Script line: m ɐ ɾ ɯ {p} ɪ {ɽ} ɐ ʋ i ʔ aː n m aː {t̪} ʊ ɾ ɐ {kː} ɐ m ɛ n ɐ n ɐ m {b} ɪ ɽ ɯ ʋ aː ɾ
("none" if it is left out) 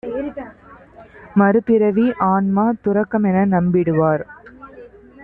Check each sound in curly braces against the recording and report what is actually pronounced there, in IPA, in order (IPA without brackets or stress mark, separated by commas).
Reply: p, ɾ, t̪, kː, b